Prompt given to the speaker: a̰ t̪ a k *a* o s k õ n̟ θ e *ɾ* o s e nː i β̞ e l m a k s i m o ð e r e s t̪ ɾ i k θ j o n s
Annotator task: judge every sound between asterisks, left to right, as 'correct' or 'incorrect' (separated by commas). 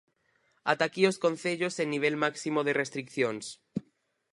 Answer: incorrect, incorrect